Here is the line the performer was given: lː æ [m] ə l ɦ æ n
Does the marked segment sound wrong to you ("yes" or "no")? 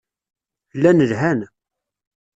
yes